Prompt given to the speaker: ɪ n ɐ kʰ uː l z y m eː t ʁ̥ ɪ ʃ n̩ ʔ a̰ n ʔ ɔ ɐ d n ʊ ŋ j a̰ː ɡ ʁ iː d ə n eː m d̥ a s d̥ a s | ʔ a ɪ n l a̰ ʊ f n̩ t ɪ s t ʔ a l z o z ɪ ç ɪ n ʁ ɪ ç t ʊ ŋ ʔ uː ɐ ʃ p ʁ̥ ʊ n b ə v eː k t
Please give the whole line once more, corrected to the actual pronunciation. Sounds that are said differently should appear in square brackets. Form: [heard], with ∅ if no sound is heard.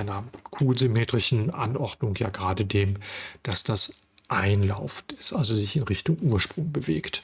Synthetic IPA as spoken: ɪ n ɐ kʰ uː l z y m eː t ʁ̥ ɪ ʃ n̩ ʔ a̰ n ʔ ɔ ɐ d n ʊ ŋ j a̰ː ɡ ʁ [aː] d ə [d] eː m d̥ a s d̥ a s | ʔ a ɪ n l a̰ ʊ f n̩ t ɪ s t ʔ a l z o z ɪ ç ɪ n ʁ ɪ ç t ʊ ŋ ʔ uː ɐ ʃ p ʁ̥ ʊ [ŋ] b ə v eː k t